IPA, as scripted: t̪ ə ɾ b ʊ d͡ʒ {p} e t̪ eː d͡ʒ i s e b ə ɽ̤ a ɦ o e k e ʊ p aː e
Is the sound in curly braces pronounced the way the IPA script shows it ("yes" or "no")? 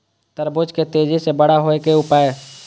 no